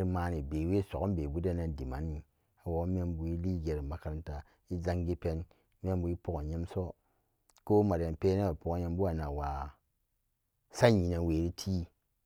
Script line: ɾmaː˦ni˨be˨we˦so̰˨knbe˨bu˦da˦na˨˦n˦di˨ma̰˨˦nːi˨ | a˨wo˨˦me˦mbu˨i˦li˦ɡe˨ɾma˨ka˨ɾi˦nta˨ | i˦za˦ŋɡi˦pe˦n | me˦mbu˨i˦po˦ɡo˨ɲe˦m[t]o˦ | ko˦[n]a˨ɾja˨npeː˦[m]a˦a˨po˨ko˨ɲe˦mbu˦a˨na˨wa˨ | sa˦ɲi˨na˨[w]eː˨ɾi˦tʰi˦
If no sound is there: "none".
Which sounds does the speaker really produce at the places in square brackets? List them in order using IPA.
s, m, n, w

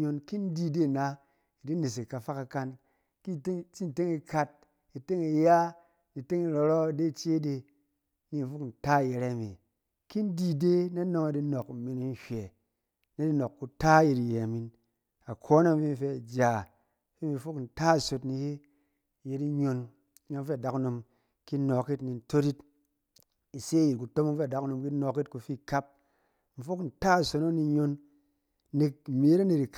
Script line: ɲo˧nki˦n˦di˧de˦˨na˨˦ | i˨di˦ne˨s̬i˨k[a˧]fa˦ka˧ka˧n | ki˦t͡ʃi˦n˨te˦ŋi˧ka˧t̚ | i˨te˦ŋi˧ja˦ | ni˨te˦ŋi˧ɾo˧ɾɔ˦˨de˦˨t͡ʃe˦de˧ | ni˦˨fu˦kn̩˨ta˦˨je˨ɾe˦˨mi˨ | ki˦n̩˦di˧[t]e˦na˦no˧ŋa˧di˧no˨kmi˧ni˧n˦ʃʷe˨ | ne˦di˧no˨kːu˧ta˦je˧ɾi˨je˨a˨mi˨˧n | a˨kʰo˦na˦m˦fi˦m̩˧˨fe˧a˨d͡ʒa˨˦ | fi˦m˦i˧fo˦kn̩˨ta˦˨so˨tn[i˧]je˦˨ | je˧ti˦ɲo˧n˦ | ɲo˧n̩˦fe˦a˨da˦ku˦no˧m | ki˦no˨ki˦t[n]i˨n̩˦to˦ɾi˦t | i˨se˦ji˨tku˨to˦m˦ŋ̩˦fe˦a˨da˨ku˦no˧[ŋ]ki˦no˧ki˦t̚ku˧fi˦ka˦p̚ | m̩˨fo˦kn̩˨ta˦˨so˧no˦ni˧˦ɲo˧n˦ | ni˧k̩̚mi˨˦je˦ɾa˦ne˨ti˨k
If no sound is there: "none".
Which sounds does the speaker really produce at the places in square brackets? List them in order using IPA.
a˧, d, i˧, n, m

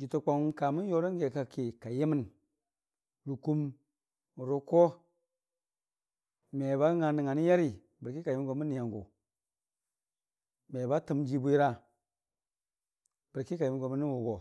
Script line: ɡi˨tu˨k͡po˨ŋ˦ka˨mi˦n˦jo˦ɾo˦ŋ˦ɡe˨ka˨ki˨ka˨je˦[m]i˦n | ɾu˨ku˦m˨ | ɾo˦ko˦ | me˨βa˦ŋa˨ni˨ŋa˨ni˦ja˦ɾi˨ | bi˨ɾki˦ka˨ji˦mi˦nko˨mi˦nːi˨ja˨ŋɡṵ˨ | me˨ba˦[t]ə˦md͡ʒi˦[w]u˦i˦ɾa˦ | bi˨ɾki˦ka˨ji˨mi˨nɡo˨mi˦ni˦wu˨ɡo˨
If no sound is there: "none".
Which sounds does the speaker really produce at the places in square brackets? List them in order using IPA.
m, t, b

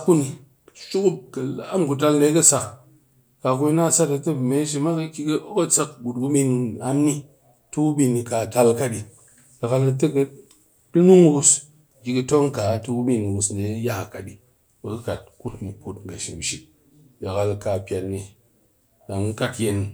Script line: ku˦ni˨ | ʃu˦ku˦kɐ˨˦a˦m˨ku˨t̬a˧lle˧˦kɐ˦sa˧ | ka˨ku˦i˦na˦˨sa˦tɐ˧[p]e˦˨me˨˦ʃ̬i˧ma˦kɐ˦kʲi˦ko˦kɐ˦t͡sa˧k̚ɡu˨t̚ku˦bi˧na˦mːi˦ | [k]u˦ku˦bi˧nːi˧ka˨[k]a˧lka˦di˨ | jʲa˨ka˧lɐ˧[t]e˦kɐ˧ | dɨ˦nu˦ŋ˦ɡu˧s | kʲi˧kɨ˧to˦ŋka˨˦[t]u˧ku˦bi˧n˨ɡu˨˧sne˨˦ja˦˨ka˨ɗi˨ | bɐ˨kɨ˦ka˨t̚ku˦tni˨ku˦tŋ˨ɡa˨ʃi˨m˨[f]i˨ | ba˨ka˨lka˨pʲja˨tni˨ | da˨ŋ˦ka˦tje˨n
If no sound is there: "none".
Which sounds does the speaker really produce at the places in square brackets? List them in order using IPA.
t, t, t, t, t, ʃ

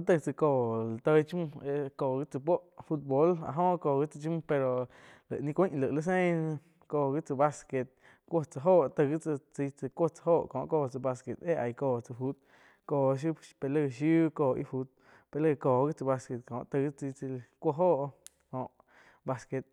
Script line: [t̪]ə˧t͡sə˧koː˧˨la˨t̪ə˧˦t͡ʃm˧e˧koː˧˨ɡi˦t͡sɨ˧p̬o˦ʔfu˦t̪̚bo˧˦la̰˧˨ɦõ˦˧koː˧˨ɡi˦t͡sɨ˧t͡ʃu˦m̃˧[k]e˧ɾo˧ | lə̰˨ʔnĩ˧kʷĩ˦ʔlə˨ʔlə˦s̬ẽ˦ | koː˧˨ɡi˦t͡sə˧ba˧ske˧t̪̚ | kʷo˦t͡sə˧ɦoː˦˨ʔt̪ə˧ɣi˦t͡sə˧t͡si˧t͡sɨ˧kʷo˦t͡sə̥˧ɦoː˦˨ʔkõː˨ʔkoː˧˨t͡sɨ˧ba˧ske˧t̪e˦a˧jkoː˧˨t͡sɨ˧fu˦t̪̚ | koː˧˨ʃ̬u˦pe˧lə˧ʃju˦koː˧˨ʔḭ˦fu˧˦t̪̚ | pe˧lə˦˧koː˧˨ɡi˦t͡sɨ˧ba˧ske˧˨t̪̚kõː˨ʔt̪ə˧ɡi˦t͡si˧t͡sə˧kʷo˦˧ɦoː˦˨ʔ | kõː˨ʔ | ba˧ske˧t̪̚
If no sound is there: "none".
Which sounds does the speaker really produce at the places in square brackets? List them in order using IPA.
t̪, p

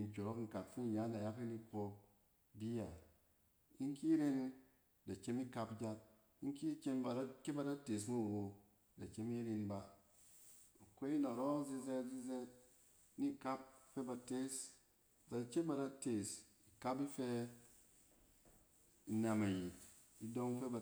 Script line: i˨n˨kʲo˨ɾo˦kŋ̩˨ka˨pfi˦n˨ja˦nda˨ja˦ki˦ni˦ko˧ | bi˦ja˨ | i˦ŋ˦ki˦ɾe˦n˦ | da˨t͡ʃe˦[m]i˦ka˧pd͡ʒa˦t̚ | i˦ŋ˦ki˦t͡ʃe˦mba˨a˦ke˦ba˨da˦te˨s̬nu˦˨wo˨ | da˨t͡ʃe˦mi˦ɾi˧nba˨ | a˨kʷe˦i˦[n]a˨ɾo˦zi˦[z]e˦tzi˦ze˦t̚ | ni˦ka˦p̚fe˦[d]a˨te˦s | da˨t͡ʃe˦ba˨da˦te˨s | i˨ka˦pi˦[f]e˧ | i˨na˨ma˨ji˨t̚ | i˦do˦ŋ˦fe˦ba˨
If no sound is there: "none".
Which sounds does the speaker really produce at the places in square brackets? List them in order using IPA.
m, n, z, b, f

